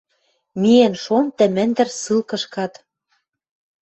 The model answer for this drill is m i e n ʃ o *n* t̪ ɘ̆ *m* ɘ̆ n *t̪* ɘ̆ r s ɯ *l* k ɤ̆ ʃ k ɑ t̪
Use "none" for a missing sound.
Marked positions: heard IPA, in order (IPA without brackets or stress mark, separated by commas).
n, m, d̪, l